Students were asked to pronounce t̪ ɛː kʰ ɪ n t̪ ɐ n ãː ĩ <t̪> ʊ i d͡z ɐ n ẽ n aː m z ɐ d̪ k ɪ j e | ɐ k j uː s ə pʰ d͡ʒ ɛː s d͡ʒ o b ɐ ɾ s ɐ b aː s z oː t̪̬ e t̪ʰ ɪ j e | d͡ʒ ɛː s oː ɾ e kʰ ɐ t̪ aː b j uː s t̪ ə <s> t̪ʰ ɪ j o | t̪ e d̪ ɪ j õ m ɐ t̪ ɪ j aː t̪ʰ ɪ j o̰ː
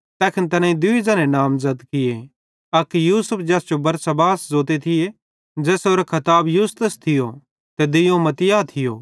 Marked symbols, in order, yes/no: no, yes

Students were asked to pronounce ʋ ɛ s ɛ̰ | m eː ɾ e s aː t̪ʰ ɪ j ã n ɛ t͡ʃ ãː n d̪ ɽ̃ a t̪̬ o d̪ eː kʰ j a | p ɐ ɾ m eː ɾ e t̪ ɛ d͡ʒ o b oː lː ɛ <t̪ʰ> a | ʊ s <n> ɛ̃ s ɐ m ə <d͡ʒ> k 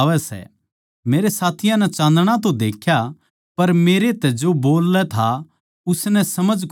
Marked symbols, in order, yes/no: yes, yes, yes

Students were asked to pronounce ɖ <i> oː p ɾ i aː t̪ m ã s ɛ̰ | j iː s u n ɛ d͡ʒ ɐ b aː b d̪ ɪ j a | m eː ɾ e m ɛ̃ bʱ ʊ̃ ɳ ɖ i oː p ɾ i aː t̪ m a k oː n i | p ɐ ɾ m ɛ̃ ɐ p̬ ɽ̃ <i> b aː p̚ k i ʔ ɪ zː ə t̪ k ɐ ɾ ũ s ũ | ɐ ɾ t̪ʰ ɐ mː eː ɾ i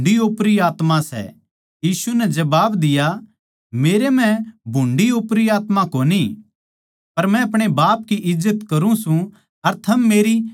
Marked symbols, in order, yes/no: yes, no

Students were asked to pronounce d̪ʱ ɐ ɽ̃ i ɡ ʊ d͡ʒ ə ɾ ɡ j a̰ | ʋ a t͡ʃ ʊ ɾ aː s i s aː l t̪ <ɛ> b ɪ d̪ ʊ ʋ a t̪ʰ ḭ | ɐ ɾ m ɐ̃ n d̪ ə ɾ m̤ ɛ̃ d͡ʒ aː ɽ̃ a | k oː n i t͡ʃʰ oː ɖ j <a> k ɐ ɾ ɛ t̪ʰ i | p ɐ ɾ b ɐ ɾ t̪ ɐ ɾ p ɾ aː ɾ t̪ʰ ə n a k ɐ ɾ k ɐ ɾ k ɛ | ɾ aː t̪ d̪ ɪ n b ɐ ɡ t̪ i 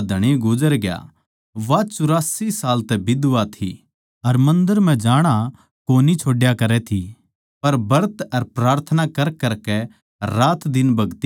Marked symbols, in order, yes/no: yes, yes

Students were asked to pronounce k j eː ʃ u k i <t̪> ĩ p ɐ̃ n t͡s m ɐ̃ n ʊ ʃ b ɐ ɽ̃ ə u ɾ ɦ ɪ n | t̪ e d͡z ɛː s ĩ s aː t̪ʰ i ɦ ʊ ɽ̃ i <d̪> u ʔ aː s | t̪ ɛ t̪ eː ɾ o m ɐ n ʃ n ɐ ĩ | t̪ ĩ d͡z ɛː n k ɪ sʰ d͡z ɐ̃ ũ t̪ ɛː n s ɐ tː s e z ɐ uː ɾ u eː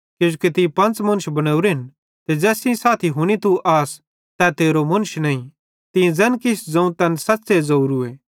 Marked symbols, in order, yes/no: yes, no

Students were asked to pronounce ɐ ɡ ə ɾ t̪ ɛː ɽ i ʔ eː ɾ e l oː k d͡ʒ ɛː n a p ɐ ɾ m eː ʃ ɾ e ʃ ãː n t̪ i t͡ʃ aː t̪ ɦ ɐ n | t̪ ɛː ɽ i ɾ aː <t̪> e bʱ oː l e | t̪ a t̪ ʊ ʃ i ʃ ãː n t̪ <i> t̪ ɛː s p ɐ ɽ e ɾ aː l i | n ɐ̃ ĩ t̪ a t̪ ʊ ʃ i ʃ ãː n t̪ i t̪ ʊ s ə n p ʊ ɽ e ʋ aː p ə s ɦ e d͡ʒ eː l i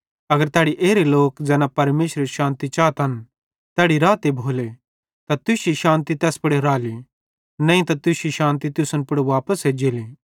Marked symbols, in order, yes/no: yes, yes

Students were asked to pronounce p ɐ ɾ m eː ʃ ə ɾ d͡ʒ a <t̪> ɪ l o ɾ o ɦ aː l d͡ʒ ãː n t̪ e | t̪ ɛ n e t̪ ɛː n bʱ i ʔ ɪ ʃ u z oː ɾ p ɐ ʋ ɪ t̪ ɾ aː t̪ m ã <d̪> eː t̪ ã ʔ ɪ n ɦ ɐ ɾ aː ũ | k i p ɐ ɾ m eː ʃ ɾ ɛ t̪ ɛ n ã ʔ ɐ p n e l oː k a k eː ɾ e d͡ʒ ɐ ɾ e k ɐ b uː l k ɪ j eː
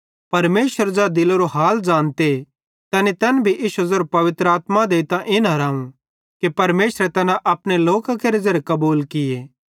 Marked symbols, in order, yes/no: no, yes

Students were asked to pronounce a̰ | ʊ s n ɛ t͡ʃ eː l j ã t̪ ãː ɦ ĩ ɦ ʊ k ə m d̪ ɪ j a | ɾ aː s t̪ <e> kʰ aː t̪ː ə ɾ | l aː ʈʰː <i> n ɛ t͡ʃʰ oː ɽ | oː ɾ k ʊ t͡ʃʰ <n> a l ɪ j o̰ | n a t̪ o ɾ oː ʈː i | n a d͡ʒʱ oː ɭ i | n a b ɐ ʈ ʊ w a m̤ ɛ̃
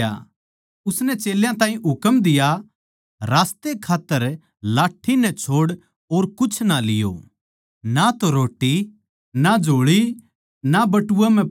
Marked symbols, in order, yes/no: yes, yes, yes

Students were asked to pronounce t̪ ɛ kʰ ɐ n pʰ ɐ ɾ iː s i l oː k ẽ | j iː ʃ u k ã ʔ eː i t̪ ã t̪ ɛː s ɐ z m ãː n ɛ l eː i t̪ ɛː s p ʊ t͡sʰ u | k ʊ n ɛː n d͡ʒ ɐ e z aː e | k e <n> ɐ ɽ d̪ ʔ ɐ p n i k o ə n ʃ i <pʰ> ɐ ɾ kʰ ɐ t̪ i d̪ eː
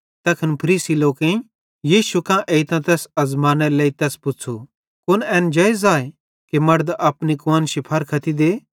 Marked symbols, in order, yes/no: no, yes

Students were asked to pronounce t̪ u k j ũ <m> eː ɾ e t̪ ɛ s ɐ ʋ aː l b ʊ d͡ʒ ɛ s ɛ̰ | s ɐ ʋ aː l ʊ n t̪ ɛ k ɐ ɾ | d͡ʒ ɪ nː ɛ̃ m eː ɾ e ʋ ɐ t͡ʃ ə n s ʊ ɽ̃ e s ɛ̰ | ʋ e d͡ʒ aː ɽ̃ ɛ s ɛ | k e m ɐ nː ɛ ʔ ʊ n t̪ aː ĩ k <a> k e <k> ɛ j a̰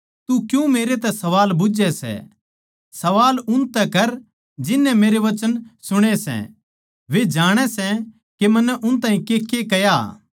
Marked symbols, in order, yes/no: yes, no, yes

